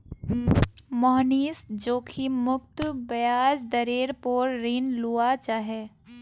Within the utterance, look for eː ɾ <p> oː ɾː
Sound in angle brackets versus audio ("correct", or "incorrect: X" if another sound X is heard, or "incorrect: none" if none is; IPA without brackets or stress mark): correct